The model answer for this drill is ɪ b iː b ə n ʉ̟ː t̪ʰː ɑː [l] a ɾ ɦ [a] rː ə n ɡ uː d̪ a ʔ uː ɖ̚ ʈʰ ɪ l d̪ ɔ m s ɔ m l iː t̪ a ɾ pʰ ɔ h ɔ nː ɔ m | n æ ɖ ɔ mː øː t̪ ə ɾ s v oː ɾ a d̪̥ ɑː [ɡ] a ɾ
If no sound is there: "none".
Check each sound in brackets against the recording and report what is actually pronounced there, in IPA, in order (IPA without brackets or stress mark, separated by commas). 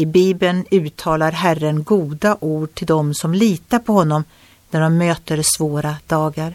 l, æ, ɡ